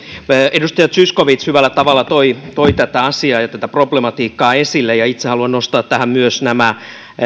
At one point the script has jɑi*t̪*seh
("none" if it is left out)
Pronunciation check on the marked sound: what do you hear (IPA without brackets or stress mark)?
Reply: t̪